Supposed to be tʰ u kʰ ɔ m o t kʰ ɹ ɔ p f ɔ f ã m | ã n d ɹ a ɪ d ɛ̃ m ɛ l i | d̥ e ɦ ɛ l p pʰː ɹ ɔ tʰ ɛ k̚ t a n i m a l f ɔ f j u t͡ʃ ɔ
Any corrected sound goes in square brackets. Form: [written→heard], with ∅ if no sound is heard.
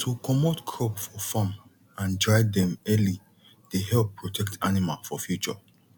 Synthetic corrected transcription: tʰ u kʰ ɔ m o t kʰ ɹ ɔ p f ɔ f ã m | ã n d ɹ a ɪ d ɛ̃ m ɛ l i | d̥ e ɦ ɛ l p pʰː ɹ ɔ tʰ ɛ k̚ t a n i m a l f ɔ f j u t͡ʃ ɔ